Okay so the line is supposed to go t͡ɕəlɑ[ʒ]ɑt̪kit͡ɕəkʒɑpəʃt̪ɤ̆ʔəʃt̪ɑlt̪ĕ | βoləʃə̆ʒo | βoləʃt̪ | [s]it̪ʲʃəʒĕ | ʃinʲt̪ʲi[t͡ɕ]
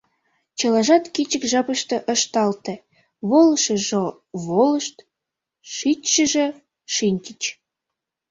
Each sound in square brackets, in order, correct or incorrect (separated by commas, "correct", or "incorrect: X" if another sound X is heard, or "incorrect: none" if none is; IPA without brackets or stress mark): correct, incorrect: ʃ, correct